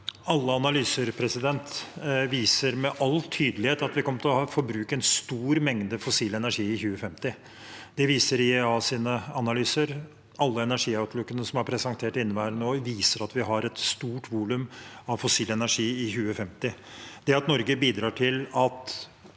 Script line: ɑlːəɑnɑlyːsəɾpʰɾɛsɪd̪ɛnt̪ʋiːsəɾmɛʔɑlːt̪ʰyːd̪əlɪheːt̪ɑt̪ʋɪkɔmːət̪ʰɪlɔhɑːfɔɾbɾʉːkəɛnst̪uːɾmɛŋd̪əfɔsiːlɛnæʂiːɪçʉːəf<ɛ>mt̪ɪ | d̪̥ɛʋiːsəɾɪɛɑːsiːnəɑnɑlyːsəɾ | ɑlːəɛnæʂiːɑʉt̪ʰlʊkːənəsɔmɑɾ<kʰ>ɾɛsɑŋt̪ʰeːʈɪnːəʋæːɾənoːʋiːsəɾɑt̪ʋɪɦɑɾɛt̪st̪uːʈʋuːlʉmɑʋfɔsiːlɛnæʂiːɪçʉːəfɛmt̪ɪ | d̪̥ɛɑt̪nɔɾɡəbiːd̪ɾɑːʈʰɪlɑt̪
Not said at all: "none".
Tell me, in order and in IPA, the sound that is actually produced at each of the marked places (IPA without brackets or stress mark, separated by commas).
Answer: ɛ, pʰ